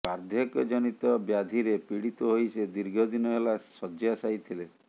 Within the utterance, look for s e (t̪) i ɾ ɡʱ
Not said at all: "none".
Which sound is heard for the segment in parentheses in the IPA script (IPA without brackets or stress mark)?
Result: d̪